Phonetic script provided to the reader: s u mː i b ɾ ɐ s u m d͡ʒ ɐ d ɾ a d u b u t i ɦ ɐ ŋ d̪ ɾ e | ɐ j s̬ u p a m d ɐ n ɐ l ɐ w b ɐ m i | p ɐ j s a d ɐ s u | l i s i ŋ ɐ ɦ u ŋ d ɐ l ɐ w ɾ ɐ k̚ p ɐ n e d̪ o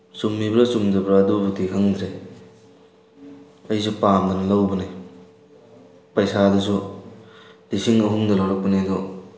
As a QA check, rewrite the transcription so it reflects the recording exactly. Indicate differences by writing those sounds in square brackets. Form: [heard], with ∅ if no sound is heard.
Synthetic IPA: s u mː i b ɾ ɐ s u m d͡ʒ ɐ [b] ɾ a d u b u t i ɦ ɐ ŋ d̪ ɾ e | ɐ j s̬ u p a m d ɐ n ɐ l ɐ w b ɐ [n] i | p ɐ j s a d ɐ s u | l i s i ŋ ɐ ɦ u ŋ d ɐ l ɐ w ɾ ɐ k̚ p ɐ n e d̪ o